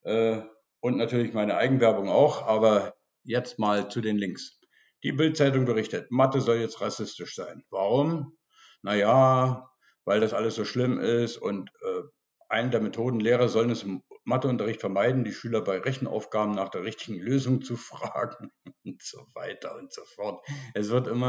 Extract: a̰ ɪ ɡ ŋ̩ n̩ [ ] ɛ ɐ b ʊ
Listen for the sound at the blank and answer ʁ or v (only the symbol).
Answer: v